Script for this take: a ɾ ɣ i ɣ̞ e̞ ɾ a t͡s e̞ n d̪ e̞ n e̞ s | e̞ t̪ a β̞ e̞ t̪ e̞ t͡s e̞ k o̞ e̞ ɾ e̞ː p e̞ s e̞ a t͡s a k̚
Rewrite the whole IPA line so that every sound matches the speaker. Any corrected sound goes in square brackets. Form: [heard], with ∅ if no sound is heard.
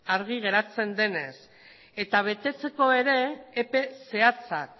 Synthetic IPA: a ɾ ɣ i ɣ̞ e̞ ɾ a t͡s e̞ n d̪ e̞ n e̞ s | e̞ t̪ a β̞ e̞ t̪ e̞ t͡s e̞ k o̞ e̞ ɾ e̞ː p e̞ s e̞ a t͡s a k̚

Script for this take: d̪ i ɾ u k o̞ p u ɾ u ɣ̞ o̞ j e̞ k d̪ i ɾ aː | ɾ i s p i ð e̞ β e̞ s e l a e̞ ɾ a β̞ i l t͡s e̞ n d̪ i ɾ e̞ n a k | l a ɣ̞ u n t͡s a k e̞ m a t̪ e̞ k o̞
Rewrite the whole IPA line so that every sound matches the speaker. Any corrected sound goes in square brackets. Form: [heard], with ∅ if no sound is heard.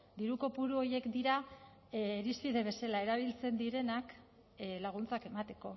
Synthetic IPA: d̪ i ɾ u k o̞ p u ɾ u [∅] o̞ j e̞ k d̪ i ɾ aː | ɾ i s p i ð e̞ β e̞ s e l a e̞ ɾ a β̞ i l t͡s e̞ n d̪ i ɾ e̞ n a k | l a ɣ̞ u n t͡s a k e̞ m a t̪ e̞ k o̞

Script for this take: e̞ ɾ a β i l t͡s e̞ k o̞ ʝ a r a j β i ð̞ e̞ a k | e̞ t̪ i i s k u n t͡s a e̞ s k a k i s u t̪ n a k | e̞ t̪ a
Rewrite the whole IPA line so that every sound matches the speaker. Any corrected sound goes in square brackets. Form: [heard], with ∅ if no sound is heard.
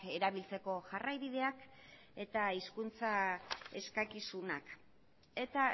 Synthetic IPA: e̞ ɾ a β i l t͡s e̞ k o̞ ʝ a r a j β i ð̞ e̞ a k | e̞ t̪ [a] i s k u n t͡s a e̞ s k a k i s u [∅] n a k | e̞ t̪ a

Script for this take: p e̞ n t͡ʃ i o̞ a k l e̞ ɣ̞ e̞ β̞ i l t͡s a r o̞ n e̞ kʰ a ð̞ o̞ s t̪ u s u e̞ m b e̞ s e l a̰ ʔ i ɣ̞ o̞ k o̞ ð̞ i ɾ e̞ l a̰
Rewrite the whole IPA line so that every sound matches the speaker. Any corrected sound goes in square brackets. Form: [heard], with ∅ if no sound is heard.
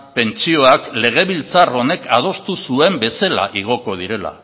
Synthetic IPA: p e̞ n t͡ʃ i o̞ a k l e̞ ɣ̞ e̞ β̞ i l t͡s a r o̞ n e̞ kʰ a ð̞ o̞ s t̪ u s u e̞ m b e̞ s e l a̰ ʔ i ɣ̞ o̞ k o̞ ð̞ i ɾ e̞ l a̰

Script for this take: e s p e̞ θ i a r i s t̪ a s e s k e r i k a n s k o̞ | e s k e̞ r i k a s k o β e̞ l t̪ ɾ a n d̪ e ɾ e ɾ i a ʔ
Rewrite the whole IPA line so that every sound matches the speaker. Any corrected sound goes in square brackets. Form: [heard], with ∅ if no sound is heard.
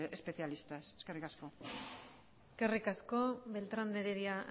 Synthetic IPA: e s p e̞ θ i a [l] i s t̪ a s e s k e r i k a [∅] s k o̞ | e s k e̞ r i k a s k o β e̞ l t̪ ɾ a n d̪ e ɾ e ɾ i a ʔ

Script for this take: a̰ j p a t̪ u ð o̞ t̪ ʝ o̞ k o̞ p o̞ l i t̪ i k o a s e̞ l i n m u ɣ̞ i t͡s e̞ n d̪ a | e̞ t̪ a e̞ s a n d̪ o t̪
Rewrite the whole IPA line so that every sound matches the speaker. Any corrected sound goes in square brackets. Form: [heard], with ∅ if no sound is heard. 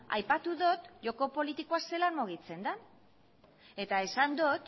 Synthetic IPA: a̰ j p a t̪ u ð o̞ t̪ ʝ o̞ k o̞ p o̞ l i t̪ i k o a s e̞ l [a] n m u ɣ̞ i t͡s e̞ n d̪ a | e̞ t̪ a e̞ s a n d̪ o t̪

